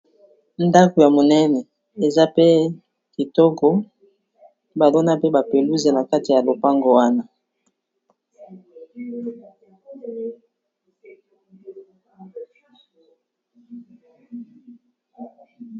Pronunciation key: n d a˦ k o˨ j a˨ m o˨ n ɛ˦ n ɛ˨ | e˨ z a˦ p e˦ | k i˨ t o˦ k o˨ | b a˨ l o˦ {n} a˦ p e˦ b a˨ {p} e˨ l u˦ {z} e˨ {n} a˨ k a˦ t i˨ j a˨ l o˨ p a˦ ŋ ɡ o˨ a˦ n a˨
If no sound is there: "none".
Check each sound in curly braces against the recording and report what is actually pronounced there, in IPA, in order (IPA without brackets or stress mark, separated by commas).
n, p, z, n